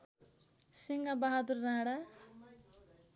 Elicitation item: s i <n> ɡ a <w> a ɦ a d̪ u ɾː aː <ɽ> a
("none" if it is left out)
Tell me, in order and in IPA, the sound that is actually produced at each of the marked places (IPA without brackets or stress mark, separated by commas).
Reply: ŋ, b, ɽ